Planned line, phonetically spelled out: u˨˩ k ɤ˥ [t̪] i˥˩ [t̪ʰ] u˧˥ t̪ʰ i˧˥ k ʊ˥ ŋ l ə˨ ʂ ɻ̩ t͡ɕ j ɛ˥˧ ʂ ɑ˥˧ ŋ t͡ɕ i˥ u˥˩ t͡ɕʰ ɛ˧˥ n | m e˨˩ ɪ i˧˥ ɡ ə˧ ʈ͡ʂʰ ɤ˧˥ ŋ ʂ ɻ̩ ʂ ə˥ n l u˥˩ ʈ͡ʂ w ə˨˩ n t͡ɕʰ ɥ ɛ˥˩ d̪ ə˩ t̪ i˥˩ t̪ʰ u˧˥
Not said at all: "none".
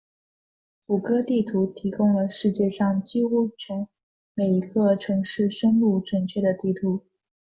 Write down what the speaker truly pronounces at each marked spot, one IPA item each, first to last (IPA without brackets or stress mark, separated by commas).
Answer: t̪, t̪ʰ